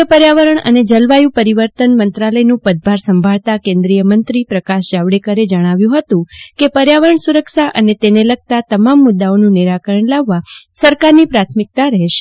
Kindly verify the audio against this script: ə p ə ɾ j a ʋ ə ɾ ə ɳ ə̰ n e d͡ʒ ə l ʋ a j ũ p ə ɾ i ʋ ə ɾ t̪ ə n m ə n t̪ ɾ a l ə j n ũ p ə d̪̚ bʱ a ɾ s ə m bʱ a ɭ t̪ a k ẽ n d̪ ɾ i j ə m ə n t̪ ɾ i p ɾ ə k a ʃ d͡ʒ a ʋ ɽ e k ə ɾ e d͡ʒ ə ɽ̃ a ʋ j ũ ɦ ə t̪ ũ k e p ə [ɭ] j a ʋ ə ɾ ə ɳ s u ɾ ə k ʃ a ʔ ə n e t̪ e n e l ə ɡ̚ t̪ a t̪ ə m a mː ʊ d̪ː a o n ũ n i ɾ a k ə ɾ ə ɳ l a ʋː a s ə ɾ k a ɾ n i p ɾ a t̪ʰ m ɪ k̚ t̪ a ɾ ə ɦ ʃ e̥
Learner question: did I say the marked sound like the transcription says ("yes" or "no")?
no